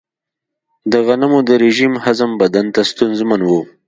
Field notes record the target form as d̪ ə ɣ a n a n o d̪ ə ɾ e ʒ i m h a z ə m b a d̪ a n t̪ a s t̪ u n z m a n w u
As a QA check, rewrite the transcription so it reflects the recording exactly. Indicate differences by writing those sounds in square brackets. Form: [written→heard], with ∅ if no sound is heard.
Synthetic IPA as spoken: d̪ ə ɣ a n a [n→m] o d̪ ə ɾ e ʒ i m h a z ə m b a d̪ a n t̪ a s t̪ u n z m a n w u